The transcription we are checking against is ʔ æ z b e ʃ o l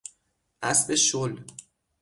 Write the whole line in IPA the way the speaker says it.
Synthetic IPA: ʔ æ s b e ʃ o l